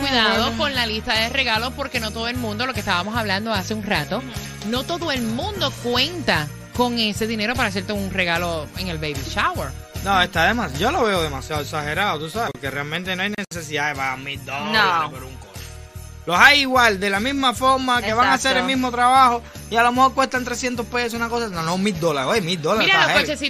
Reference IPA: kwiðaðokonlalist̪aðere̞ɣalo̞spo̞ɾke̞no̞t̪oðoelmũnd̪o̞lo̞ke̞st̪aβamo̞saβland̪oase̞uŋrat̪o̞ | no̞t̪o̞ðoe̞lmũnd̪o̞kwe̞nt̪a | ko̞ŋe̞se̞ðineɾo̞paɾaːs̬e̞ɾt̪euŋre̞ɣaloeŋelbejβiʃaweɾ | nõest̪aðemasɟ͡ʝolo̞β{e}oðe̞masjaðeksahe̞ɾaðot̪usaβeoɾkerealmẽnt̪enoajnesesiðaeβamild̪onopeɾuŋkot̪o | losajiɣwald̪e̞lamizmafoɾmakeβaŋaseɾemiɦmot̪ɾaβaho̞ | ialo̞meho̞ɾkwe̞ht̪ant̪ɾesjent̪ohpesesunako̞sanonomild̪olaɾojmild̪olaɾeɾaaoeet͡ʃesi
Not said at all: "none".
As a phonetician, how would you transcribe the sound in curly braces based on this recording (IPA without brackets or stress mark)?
e